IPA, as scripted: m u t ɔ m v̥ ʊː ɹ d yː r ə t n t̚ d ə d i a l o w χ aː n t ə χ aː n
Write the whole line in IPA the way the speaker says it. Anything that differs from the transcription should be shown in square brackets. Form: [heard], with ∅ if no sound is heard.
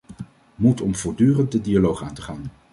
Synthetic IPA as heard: m u t ɔ m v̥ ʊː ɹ d yː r ə [∅] n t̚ d ə d i a l o w χ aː n t ə χ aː n

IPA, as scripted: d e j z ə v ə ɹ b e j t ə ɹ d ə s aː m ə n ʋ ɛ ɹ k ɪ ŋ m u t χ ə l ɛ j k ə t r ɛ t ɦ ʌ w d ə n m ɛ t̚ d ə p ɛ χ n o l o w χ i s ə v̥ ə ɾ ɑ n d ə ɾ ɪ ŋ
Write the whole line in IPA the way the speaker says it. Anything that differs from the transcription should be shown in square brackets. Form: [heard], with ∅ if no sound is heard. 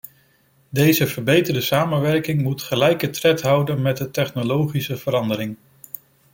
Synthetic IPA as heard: d e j z ə v ə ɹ b e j t ə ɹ d ə s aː m ə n ʋ ɛ ɹ k ɪ ŋ m u t χ ə l ɛ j k ə t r ɛ t ɦ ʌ w d ə n m ɛ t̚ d ə [t] ɛ χ n o l o w χ i s ə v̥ ə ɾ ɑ n d ə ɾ ɪ ŋ

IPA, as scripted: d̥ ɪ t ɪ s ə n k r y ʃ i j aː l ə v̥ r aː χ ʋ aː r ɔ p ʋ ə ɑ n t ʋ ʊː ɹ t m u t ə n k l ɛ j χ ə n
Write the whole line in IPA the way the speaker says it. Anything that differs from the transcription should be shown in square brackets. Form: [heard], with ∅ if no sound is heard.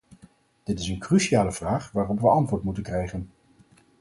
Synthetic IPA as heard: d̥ ɪ t ɪ s ə n k r y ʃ i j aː l ə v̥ r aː χ ʋ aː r ɔ p ʋ ə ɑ n t ʋ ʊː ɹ t m u t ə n k [r] ɛ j χ ə n

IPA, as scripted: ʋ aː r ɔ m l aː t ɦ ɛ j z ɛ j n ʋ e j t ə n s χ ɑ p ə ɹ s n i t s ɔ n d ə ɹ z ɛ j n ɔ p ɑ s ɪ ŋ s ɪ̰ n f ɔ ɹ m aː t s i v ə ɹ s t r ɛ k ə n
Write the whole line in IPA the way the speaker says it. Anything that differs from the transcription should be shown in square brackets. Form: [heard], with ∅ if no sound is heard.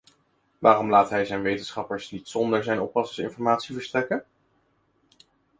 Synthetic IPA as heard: ʋ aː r ɔ m l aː t ɦ ɛ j z ɛ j n ʋ e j t ə n s χ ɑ p ə ɹ s n i t s ɔ n d ə ɹ z ɛ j n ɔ p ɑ s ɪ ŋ s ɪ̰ n f ɔ ɹ m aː t s i v ə ɹ s t r ɛ k ə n

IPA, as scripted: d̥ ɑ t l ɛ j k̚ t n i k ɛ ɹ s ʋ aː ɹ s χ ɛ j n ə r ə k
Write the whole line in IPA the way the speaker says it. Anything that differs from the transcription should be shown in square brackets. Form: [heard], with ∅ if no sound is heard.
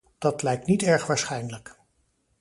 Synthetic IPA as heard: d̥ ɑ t l ɛ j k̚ t n i [t] ɛ ɹ [χ] ʋ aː ɹ s χ ɛ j n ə [l] ə k

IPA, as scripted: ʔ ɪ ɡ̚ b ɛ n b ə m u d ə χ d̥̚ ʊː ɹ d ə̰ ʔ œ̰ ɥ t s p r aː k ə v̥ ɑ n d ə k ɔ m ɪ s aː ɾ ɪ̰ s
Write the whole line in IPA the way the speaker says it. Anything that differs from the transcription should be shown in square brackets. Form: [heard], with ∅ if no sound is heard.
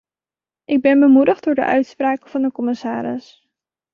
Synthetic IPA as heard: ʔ ɪ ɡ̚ b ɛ n b ə m u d ə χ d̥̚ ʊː ɹ d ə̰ ʔ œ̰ ɥ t s p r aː k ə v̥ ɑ n d ə k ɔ m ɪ s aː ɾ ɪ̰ s

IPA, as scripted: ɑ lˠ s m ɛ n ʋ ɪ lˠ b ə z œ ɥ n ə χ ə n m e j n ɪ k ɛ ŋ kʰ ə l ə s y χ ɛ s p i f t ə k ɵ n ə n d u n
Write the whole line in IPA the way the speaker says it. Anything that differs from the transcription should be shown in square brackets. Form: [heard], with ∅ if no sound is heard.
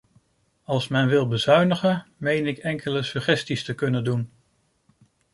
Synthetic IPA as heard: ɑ lˠ s m ɛ n ʋ ɪ lˠ b ə z œ ɥ n ə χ ə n m e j n ɪ k ɛ ŋ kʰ ə l ə s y χ ɛ s [t] i [s] t ə k ɵ n ə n d u n

